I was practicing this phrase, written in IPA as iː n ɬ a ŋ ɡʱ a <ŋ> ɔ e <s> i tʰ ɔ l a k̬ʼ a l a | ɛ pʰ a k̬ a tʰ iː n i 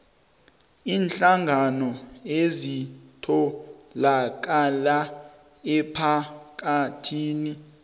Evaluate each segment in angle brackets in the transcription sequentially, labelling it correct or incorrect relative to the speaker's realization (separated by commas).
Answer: incorrect, incorrect